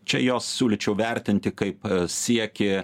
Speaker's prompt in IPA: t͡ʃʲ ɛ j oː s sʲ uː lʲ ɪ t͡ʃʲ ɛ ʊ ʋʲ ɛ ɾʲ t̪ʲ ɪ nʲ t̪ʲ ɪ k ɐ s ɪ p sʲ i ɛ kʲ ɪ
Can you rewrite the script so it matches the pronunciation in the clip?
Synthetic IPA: t͡ʃʲ ɛ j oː s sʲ uː lʲ ɪ t͡ʃʲ ɛ ʊ ʋʲ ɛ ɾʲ t̪ʲ ɪ nʲ t̪ʲ ɪ k ɐ ɪ p sʲ i ɛ kʲ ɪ